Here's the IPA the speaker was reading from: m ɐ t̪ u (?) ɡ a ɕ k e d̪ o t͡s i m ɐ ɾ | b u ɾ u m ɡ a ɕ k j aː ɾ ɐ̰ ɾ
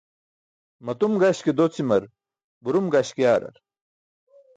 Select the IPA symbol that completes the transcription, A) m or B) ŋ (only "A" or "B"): A